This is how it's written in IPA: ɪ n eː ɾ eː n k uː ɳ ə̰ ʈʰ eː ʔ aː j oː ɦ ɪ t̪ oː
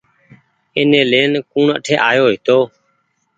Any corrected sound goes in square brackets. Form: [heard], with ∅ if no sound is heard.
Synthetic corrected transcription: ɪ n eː [l] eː n k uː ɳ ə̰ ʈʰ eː ʔ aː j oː ɦ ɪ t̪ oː